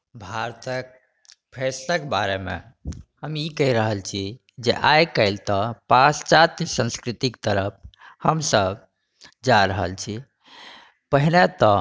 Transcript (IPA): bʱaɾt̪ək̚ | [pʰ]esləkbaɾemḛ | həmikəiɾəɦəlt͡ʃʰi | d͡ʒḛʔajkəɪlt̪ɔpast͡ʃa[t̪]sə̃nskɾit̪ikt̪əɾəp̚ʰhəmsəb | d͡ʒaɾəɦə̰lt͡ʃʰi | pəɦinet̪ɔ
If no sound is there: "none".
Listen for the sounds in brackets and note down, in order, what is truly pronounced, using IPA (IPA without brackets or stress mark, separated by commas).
pʰ, t̪